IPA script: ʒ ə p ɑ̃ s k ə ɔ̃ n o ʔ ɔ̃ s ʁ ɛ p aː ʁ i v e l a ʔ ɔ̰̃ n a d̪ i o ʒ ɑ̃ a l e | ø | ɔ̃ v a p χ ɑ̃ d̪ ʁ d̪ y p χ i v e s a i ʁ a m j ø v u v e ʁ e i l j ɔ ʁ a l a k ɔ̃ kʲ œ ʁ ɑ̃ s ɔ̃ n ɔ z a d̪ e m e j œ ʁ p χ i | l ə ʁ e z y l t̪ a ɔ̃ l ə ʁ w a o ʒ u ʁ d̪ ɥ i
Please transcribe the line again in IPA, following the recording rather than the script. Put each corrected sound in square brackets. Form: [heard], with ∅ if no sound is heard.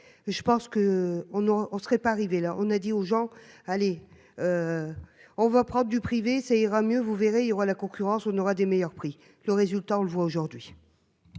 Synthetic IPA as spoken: ʒ ə p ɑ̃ s k ə ɔ̃ n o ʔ ɔ̃ s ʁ ɛ p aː ʁ i v e l a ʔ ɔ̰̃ n a d̪ i o ʒ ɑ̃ a l e | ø | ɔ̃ v a p χ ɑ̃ d̪ ʁ d̪ y p χ i v e s a i ʁ a m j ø v u v e ʁ e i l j ɔ ʁ a l a k ɔ̃ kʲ [y] ʁ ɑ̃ s ɔ̃ n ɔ [ʁ] a d̪ e m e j œ ʁ p χ i | l ə ʁ e z y l t̪ a ɔ̃ l ə [v] w a o ʒ u ʁ d̪ ɥ i